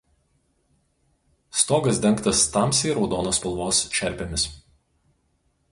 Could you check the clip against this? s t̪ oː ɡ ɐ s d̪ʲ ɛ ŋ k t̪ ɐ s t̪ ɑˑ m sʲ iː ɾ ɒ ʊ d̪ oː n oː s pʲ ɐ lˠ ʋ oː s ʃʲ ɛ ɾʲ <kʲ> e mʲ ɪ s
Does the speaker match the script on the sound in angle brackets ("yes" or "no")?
no